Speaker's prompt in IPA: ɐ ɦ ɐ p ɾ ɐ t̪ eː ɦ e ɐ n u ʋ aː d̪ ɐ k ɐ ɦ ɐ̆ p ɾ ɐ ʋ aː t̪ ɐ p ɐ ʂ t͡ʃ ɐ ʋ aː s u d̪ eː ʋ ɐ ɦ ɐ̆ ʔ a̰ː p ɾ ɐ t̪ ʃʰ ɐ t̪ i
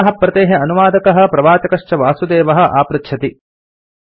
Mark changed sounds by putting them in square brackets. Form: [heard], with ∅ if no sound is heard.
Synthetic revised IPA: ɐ ɦ ɐ p ɾ ɐ t̪ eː ɦ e ɐ n u ʋ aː d̪ ɐ k ɐ ɦ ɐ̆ p ɾ ɐ ʋ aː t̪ ɐ [k] ɐ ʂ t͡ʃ ɐ ʋ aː s u d̪ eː ʋ ɐ ɦ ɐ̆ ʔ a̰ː p ɾ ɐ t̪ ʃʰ ɐ t̪ i